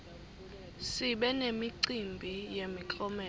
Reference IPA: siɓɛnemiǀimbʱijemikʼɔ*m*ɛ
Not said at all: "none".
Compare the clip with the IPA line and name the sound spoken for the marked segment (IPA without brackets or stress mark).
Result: m